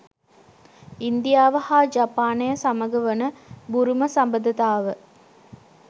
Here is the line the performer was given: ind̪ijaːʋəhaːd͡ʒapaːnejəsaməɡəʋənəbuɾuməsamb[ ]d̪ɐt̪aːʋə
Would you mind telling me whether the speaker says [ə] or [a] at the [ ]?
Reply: ə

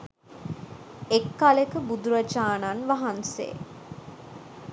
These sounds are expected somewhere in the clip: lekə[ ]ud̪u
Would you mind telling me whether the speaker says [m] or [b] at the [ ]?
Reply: b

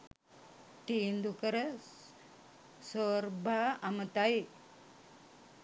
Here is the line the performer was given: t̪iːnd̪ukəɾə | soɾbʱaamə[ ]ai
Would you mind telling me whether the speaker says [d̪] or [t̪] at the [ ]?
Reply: t̪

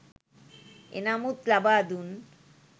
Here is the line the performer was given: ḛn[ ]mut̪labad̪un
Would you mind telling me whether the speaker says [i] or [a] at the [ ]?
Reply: a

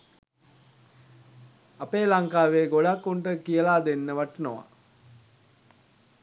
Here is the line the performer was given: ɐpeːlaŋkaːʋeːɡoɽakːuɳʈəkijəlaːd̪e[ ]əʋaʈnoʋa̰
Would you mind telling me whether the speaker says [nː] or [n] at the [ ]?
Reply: nː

